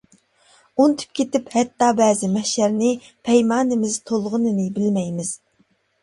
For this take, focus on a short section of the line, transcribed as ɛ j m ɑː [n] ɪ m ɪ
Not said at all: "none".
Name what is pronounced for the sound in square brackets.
n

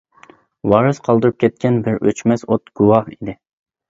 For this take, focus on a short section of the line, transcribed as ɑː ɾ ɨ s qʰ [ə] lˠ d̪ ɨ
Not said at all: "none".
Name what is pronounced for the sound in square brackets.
ɑ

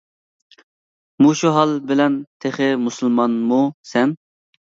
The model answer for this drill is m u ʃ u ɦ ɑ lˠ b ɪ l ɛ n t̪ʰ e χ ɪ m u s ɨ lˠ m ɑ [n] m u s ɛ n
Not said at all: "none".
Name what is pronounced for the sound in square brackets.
n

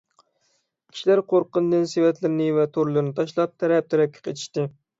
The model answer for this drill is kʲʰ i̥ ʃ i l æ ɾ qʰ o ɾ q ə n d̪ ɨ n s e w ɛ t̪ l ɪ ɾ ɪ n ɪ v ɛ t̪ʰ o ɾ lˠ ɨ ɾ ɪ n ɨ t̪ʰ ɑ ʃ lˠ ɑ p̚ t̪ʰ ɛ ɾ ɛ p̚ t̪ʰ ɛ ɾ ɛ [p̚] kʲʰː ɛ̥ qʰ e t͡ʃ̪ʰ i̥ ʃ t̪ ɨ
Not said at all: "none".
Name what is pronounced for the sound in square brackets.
p̚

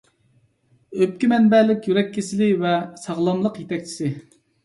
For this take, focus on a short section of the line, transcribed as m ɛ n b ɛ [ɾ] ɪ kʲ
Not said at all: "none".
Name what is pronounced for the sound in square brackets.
l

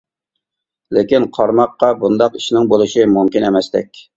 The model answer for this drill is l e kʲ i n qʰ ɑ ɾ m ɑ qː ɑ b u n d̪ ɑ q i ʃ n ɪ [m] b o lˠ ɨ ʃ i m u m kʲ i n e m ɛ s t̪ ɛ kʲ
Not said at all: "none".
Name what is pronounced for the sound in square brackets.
ŋ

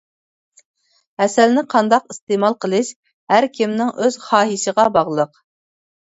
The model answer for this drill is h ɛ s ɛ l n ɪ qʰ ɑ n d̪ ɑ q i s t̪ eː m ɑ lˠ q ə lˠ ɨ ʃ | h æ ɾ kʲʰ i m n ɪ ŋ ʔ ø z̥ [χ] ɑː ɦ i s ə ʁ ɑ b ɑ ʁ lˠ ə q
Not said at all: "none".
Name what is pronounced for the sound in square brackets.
χ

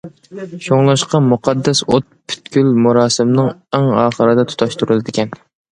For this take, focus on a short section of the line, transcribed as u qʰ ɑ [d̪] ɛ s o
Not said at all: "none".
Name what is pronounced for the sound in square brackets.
d̪ː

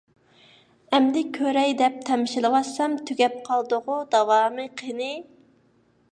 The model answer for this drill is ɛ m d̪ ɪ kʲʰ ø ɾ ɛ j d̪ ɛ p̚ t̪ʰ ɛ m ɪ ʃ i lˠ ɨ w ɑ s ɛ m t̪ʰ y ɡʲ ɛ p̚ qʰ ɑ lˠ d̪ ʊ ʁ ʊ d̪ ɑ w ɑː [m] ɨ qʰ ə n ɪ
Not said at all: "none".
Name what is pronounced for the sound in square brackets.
m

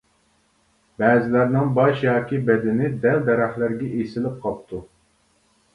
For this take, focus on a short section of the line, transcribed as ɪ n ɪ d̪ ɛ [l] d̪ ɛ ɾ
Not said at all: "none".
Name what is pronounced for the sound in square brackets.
l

